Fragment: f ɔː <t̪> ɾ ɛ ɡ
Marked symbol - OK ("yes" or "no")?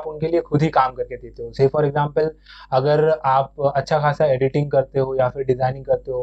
no